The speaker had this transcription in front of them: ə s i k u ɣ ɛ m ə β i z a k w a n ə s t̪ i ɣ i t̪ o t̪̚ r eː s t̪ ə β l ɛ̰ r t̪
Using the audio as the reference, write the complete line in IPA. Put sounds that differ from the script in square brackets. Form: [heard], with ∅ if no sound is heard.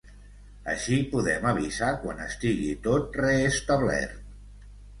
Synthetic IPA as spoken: ə [ʃ] i [p] u [ð] ɛ m ə β i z a k w a n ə s t̪ i ɣ i t̪ o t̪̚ r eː s t̪ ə β l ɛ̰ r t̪